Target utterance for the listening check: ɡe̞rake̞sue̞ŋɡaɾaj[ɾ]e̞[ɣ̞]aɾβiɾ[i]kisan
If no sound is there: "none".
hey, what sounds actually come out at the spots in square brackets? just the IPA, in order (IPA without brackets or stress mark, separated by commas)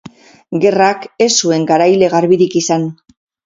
l, ɣ̞, i